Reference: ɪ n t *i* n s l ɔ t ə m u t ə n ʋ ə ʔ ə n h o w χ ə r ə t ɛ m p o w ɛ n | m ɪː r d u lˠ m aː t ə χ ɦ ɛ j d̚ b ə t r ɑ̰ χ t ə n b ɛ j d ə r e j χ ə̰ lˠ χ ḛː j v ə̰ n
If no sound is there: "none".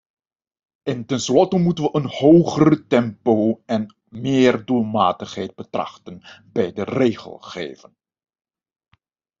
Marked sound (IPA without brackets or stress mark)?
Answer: ɛ